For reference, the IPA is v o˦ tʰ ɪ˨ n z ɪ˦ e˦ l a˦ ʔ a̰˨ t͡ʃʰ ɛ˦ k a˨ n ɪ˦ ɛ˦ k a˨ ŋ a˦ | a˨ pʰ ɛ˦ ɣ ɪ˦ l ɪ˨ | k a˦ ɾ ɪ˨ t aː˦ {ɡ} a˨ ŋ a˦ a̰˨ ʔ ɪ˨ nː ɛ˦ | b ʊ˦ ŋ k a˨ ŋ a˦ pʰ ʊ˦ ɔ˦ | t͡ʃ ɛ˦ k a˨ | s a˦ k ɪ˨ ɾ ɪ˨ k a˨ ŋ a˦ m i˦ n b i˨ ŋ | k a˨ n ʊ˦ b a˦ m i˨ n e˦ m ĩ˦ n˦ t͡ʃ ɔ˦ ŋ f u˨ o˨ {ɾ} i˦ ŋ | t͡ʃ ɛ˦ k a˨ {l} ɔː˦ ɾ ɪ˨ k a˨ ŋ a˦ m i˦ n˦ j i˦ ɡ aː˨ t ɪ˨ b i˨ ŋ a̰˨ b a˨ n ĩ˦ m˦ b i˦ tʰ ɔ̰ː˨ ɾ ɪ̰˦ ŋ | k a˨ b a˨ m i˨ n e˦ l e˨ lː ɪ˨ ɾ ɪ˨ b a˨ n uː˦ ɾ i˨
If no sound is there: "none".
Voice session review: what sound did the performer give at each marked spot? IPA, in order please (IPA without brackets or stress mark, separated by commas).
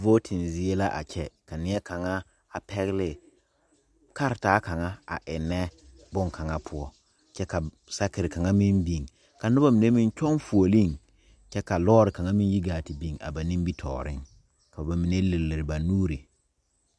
k, l, l